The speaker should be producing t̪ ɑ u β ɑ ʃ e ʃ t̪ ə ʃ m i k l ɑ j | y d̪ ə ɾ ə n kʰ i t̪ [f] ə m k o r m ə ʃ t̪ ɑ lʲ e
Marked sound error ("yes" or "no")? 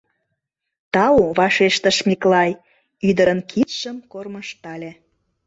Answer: yes